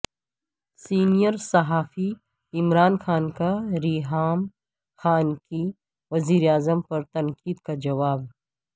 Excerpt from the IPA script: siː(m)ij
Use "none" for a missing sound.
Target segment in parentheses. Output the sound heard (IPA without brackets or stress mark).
n